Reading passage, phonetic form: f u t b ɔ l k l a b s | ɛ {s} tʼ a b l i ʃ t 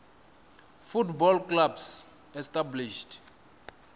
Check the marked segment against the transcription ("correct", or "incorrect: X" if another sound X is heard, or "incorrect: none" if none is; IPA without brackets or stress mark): correct